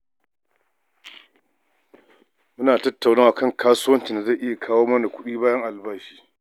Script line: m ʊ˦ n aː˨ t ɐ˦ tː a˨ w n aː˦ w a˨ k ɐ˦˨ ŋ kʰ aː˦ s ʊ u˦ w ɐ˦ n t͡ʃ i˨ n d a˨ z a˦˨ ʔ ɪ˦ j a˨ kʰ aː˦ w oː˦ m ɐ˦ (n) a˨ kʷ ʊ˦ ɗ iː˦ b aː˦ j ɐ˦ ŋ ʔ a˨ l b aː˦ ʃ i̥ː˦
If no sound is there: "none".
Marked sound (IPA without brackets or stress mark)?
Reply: n